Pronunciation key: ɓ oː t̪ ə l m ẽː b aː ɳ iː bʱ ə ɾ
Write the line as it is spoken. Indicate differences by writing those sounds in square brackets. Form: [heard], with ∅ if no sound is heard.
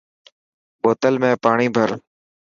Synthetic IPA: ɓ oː t̪ ə l m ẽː [p] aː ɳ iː bʱ ə ɾ